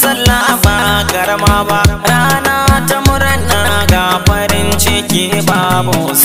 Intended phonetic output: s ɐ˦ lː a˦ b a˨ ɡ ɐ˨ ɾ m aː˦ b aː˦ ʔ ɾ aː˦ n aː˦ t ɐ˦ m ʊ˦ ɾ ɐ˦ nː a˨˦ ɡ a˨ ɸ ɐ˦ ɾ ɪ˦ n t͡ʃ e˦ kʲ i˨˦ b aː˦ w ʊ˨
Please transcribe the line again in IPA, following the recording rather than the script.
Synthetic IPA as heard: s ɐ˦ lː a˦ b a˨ ɡ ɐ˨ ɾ m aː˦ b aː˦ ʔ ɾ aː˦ n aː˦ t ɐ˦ m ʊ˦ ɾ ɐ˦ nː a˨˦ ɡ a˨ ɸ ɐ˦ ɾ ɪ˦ n t͡ʃ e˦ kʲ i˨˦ b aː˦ b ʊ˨